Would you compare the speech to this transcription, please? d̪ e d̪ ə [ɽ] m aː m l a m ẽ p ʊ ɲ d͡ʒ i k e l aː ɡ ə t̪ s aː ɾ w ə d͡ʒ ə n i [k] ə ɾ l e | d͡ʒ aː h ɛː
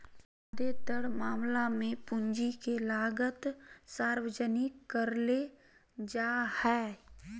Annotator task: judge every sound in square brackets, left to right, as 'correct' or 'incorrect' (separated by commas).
correct, correct